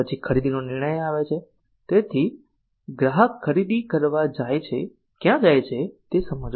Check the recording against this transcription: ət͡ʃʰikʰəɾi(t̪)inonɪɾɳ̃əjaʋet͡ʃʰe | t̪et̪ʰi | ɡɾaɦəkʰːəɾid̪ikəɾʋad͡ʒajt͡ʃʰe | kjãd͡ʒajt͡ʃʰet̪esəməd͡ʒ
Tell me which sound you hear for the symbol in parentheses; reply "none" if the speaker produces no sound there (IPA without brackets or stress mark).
d̪